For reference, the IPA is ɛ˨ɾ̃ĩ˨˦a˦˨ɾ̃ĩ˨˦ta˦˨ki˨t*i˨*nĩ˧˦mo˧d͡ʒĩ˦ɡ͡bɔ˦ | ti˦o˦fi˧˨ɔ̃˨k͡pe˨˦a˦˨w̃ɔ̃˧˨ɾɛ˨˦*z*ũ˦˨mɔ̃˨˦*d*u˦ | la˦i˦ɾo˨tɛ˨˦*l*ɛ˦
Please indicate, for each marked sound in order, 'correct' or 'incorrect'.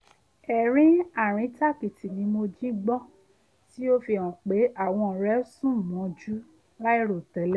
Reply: correct, incorrect: s, incorrect: d͡ʒ, correct

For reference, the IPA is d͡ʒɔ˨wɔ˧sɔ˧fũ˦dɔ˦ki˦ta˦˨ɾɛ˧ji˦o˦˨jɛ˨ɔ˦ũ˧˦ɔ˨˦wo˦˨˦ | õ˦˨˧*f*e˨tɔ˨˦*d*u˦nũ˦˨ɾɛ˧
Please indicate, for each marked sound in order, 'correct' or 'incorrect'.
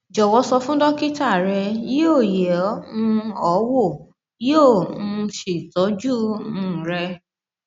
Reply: incorrect: ʃ, incorrect: d͡ʒ

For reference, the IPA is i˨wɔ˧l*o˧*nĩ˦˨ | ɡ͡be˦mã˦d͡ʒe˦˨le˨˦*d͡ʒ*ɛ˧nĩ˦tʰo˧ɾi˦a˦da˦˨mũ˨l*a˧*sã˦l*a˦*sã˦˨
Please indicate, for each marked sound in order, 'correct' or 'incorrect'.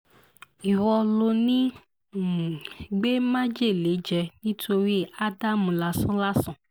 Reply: correct, correct, correct, correct

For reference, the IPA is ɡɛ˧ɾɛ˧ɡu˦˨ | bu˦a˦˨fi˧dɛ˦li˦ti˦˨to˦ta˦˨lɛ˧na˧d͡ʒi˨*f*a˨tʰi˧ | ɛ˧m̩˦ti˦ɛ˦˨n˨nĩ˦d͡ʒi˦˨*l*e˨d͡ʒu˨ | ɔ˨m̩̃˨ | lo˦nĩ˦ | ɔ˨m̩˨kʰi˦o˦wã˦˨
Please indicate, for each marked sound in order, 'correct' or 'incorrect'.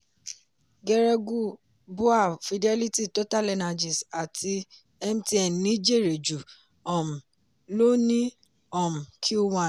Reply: incorrect: s, incorrect: ɾ

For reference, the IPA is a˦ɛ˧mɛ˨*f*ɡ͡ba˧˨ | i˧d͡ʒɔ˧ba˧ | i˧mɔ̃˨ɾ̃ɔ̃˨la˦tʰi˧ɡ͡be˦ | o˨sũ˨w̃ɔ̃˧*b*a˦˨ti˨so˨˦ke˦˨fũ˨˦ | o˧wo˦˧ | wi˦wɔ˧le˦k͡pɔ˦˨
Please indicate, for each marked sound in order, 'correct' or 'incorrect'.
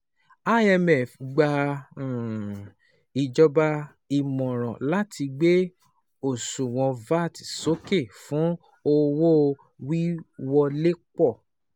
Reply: correct, incorrect: v

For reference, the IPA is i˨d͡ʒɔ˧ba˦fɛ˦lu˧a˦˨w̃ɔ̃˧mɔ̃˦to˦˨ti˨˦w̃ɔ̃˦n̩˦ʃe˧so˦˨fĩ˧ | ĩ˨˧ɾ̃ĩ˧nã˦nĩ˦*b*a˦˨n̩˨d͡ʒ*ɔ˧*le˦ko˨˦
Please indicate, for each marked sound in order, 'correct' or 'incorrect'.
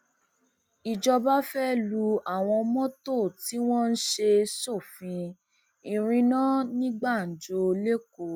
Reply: incorrect: ɡ͡b, incorrect: o˧

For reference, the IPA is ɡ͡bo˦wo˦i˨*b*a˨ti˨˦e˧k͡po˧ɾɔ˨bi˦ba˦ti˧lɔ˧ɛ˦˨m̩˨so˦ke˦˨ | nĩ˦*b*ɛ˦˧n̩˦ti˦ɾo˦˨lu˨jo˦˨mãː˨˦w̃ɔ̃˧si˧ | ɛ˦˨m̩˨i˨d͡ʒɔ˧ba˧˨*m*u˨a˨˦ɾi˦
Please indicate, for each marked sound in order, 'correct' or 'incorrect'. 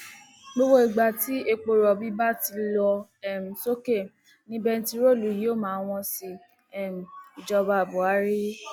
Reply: incorrect: ɡ͡b, correct, incorrect: b

